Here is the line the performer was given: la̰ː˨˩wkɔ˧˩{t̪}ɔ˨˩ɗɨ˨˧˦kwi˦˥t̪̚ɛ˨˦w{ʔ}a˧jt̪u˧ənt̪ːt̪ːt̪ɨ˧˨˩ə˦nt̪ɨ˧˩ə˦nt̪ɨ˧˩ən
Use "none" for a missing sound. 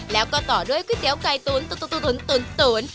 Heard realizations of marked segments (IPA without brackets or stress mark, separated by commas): t̪, k